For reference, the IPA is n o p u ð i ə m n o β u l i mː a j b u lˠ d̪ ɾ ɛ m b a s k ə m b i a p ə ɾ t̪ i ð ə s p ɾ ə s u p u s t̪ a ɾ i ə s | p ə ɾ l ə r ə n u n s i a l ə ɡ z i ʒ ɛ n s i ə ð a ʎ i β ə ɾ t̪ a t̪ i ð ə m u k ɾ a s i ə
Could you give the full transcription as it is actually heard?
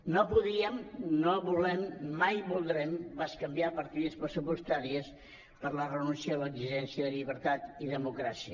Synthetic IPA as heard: n o p u ð i ə m n o β u l ɛ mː a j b u lˠ d̪ ɾ ɛ m b a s k ə m b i a p ə ɾ t̪ i ð ə s p ɾ ə s u p u s t̪ a ɾ i ə s | p ə ɾ l ə r ə n u n s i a l ə ɡ z i ʒ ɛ n s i ə ð ə ʎ i β ə ɾ t̪ a t̪ i ð ə m u k ɾ a s i ə